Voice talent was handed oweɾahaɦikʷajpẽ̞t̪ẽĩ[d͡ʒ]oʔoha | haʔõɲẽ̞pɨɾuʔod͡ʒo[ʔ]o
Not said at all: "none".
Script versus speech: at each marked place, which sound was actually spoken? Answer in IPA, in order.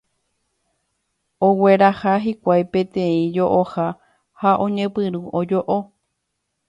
d͡ʒ, ʔ

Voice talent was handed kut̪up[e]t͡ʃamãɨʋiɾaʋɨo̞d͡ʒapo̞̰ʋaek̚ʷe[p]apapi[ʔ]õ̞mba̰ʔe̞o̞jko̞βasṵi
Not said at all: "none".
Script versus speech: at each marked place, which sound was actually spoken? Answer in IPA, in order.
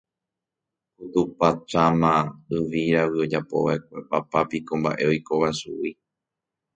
a, p, k

